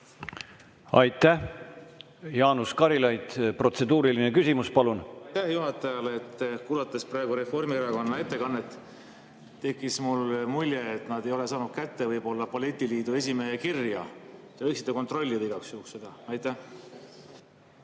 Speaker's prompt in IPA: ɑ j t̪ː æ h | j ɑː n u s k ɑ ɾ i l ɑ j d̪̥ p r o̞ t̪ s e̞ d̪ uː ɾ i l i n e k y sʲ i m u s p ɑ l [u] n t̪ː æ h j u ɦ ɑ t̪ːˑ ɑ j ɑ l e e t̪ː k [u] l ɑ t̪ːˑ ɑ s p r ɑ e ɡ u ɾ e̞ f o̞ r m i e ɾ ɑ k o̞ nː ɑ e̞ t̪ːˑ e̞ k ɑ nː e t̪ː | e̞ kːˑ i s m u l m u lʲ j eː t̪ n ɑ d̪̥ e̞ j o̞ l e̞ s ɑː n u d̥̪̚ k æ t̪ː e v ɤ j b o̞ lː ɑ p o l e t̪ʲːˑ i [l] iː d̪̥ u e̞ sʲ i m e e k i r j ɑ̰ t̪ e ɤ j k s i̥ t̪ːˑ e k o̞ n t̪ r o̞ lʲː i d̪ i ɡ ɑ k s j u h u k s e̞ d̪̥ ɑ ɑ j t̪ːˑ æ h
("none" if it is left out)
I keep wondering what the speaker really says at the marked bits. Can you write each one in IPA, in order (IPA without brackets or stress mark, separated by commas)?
u, uː, l